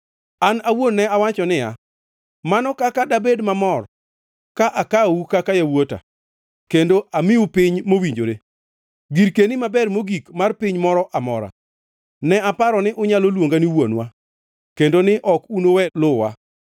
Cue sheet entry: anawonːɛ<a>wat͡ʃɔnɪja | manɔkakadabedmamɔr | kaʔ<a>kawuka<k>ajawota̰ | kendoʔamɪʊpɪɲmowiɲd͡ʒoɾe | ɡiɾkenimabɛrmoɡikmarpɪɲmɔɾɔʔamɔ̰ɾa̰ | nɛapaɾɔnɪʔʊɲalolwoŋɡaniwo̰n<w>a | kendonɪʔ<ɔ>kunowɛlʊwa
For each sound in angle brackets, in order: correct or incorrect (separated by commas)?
correct, correct, correct, correct, correct